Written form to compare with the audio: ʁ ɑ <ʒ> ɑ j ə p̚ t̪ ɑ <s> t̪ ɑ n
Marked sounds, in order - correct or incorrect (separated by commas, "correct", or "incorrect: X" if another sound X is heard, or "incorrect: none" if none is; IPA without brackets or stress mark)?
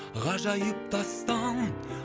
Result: correct, correct